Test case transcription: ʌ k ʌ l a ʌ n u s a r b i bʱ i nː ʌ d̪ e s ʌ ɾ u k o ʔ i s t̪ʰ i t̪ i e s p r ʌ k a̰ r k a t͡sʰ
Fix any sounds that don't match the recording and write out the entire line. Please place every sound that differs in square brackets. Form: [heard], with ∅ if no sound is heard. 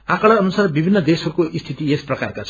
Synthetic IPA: [a] k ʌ [ɽ] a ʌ n u s a r b i bʱ i nː ʌ d̪ e s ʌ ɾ u k o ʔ i s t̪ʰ i t̪ i e s p r ʌ k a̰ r k a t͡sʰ